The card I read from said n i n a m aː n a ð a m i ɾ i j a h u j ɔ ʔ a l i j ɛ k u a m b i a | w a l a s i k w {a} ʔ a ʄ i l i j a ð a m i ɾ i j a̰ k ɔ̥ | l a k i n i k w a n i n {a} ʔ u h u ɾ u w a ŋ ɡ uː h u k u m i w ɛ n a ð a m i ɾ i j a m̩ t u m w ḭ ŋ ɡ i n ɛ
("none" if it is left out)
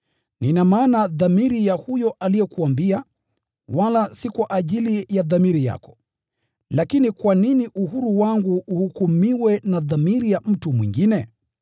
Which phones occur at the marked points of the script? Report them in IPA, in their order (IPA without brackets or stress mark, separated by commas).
a, i